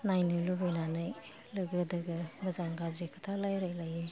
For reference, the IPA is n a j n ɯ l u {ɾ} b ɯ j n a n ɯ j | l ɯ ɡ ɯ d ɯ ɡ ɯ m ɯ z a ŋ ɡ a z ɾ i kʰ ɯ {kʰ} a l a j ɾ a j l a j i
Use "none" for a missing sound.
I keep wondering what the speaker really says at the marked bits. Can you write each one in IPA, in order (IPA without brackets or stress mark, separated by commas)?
none, tʰ